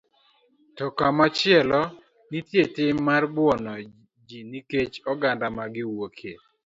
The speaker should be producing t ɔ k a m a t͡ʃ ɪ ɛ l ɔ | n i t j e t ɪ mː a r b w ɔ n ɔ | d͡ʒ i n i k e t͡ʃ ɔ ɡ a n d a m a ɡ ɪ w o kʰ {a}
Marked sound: incorrect: e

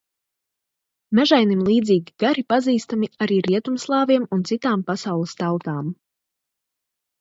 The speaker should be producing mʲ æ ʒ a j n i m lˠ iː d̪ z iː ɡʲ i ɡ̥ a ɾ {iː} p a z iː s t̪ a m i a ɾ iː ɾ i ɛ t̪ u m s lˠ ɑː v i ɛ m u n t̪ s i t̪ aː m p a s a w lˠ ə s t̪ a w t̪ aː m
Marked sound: incorrect: i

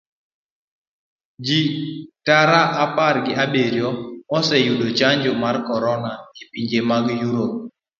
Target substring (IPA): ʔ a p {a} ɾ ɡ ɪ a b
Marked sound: correct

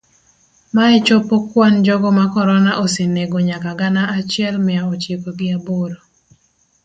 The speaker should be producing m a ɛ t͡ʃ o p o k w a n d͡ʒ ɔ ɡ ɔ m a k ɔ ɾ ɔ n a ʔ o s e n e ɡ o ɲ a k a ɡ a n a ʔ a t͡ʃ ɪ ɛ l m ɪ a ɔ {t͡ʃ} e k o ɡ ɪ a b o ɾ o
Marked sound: correct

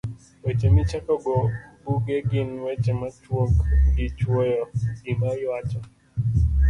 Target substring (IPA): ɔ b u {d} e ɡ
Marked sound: incorrect: ɡ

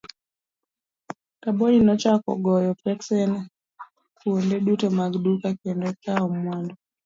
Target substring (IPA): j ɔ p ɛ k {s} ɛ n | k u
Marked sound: correct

